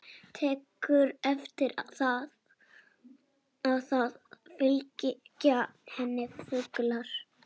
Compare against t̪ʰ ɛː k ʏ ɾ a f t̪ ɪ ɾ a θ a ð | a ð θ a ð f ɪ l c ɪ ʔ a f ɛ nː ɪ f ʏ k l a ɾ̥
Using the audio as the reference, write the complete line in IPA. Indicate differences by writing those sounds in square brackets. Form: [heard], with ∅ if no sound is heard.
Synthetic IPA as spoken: t̪ʰ ɛː k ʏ ɾ [ɛ] f t̪ ɪ ɾ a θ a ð | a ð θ a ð f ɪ l c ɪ [c] a [h] ɛ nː ɪ f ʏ k l a ɾ̥